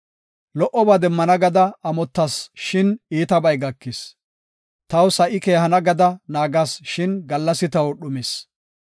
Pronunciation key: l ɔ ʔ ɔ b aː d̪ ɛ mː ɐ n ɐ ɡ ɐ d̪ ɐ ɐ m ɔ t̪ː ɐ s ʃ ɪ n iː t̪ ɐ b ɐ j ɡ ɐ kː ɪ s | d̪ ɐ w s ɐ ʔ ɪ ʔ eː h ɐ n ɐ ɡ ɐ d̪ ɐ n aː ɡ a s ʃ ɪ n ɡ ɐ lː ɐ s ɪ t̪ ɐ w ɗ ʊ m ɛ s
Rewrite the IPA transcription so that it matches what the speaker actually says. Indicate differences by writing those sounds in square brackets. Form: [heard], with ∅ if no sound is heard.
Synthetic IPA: l ɔ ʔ ɔ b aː d̪ ɛ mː ɐ n ɐ ɡ ɐ d̪ ɐ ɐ m ɔ t̪ː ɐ s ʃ ɪ n iː t̪ ɐ b ɐ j ɡ ɐ kː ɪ s | [t̪] ɐ w s ɐ ʔ ɪ [k] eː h ɐ n ɐ ɡ ɐ d̪ ɐ n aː ɡ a s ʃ ɪ n ɡ ɐ lː ɐ s ɪ t̪ ɐ w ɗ ʊ m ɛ s